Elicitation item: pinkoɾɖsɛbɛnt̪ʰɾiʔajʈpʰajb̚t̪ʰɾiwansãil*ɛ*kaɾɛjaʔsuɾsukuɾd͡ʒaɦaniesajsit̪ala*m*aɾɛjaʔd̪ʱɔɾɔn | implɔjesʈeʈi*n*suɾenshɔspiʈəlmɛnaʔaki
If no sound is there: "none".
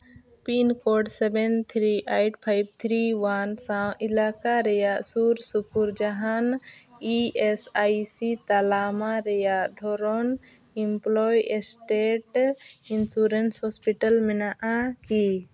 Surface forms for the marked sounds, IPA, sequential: a, m, n

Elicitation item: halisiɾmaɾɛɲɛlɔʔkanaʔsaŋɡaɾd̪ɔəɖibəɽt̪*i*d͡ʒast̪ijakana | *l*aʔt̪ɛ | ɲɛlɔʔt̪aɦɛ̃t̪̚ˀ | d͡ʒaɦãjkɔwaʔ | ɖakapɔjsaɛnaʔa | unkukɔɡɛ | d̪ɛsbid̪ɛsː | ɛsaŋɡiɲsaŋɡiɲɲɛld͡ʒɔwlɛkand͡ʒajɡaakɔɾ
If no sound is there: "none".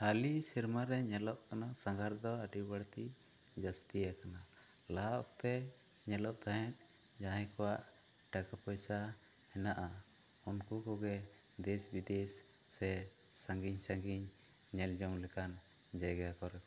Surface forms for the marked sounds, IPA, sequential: i, l

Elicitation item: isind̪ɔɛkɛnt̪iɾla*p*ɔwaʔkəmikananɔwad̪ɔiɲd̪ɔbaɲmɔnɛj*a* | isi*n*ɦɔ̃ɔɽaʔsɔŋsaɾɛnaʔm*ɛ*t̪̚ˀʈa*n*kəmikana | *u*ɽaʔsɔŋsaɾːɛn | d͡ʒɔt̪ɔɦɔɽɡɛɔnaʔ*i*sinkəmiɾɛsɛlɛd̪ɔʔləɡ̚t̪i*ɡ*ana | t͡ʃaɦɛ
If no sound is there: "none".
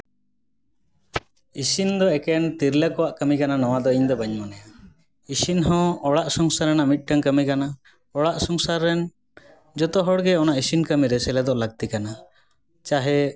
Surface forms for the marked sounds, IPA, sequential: k, a, n, i, ŋ, ɔ, i, k

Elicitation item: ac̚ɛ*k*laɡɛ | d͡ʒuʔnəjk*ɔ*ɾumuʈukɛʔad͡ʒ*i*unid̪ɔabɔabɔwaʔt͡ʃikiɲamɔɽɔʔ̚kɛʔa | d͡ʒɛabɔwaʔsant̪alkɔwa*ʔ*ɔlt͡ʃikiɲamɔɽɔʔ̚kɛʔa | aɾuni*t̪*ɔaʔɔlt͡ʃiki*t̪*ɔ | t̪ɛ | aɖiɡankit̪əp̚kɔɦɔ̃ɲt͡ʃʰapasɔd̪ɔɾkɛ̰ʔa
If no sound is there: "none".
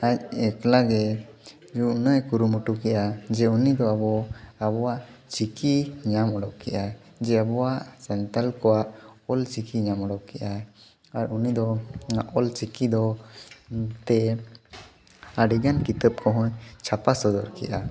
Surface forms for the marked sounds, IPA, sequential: k, u, ɛ, ʔ, d̪, d̪

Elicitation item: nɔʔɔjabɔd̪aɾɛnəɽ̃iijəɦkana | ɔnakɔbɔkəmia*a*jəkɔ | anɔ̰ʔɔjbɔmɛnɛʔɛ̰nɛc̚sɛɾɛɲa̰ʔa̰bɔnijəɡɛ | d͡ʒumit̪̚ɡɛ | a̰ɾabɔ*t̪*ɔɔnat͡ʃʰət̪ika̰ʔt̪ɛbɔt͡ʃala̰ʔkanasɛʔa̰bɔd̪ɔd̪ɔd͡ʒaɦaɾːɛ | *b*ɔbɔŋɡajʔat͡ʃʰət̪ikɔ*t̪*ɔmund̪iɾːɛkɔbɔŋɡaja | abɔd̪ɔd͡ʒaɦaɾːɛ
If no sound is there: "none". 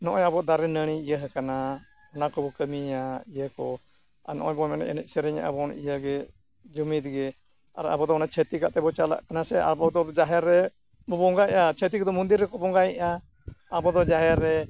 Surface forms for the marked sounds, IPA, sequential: i, d̪, b, d̪

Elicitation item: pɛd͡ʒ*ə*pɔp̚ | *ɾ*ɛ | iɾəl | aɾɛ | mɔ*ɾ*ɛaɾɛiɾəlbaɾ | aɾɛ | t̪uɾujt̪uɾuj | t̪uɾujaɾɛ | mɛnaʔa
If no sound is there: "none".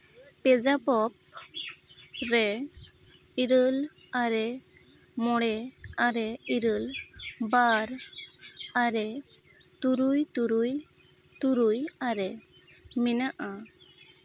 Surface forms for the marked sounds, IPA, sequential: a, ɾ, ɽ

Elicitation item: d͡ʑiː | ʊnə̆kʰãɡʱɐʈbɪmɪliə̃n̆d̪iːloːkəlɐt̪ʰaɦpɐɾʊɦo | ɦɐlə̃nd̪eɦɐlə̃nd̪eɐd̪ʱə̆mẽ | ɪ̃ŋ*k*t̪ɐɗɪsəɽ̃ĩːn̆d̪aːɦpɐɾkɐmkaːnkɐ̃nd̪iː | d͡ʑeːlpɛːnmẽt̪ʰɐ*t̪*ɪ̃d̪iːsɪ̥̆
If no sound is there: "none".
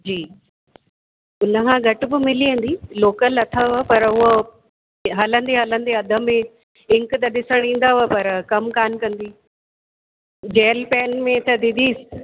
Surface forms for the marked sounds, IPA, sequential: k, d̪

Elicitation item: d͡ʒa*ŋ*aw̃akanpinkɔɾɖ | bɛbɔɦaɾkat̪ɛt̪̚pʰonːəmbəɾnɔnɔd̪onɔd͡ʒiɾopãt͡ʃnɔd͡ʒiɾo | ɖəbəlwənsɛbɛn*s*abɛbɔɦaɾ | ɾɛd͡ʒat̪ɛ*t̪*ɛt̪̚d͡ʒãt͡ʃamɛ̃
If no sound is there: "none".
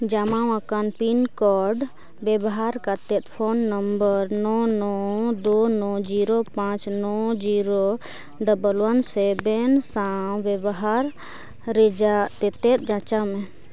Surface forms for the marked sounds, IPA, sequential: m, s, t̪

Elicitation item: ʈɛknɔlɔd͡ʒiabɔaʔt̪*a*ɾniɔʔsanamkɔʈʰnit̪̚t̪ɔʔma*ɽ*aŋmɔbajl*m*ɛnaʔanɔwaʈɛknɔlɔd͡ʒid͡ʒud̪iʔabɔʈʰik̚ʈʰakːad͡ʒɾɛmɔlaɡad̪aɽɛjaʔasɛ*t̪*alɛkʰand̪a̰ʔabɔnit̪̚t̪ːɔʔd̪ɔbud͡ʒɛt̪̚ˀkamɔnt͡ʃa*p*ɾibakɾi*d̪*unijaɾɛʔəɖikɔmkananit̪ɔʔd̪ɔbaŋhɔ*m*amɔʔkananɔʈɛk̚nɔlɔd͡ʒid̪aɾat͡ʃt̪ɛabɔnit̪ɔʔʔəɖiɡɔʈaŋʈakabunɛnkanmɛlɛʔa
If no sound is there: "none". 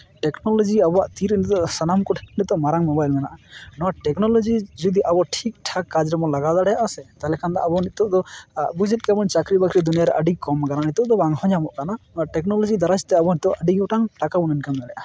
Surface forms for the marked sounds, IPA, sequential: i, ɾ, m, t̪, k, d̪, ɲ

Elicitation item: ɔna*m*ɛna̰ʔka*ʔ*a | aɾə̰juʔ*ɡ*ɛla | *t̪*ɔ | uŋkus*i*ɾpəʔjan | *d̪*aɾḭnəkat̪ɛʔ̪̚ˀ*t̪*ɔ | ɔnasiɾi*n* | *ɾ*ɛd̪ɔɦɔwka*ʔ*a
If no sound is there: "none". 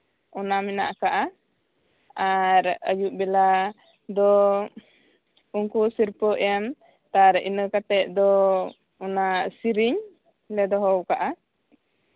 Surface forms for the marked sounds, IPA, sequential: m, ʔ, b, d̪, i, t̪, d̪, ɲ, l, ʔ

